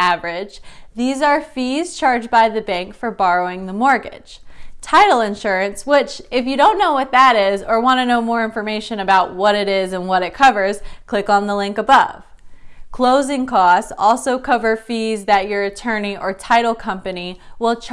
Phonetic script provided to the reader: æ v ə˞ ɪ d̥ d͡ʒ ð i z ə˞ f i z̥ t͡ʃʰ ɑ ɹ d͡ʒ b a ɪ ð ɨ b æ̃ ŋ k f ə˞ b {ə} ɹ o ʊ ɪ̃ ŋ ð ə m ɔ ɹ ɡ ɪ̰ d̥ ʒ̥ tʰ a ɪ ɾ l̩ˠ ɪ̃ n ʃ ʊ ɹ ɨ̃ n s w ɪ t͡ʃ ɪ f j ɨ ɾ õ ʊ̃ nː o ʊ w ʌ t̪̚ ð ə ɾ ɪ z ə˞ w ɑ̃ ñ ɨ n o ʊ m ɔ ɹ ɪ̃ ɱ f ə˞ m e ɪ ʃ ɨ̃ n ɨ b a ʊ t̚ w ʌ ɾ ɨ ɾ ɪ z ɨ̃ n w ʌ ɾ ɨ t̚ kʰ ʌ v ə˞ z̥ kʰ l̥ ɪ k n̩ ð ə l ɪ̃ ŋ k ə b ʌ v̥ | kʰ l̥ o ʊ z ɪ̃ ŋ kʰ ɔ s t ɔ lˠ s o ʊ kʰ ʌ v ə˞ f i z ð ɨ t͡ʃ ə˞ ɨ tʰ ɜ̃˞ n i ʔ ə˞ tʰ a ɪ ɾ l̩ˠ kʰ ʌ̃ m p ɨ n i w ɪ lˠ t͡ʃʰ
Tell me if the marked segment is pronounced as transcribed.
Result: no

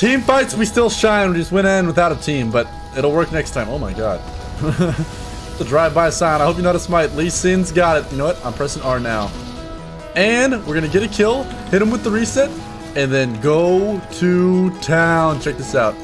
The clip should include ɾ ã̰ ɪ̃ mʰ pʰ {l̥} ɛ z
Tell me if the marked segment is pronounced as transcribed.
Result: no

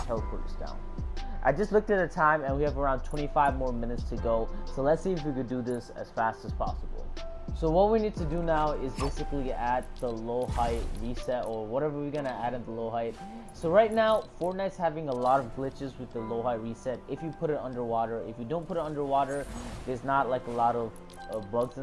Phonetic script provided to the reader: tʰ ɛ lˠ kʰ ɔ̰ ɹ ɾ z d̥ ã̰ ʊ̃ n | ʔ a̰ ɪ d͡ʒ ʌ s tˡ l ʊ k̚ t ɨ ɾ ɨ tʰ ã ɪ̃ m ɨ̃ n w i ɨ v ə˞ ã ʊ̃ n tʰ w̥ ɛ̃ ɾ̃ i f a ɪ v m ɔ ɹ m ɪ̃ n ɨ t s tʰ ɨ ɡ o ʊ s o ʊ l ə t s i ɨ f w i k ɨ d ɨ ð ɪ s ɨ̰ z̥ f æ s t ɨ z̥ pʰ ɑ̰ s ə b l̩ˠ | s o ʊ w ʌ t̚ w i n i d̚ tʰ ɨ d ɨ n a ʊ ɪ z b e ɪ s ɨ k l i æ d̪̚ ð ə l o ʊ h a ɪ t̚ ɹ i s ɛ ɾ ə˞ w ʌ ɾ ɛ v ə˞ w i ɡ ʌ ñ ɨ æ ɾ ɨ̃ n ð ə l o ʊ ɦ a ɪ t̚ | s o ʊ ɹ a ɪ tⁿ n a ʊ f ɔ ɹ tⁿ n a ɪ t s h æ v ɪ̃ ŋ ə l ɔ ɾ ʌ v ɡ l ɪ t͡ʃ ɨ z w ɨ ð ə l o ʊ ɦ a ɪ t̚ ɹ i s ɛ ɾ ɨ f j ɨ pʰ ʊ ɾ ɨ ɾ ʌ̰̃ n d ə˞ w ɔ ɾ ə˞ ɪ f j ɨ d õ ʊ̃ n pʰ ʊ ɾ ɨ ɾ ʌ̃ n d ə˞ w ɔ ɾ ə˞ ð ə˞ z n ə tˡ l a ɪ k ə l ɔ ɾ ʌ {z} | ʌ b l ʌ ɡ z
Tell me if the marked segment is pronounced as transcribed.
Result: no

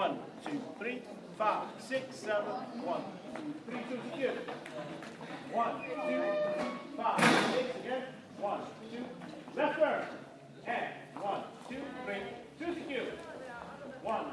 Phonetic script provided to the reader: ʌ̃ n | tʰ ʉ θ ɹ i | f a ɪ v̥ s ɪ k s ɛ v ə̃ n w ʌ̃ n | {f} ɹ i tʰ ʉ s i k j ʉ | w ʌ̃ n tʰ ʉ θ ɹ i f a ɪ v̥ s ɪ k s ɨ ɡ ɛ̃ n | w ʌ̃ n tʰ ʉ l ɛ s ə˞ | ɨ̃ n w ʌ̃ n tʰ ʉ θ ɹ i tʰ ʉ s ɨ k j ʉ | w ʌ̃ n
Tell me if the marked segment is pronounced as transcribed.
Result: no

